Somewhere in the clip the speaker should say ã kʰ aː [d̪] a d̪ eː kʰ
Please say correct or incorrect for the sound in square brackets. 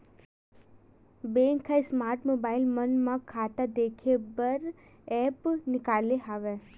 incorrect